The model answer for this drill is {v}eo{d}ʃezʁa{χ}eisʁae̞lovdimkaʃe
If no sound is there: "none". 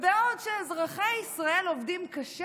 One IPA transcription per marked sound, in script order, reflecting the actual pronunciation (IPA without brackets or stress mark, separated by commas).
v, d, χ